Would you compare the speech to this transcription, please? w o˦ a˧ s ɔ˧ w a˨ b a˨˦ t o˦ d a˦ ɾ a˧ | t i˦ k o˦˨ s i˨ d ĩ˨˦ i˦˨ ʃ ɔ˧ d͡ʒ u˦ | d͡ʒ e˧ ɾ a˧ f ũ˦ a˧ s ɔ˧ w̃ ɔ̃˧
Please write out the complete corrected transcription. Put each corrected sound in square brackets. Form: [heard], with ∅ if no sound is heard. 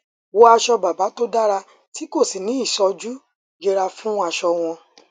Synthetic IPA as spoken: w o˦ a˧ [ʃ] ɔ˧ [b] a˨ b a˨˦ t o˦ d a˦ ɾ a˧ | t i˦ k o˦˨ s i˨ [n] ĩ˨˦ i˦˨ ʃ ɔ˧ d͡ʒ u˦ | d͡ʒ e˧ ɾ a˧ f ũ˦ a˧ [ʃ] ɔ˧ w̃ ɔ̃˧